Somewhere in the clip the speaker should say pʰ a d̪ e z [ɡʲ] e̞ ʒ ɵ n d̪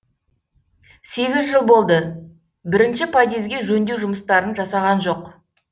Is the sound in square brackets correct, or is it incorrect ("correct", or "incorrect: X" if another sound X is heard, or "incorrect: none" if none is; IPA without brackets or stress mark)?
correct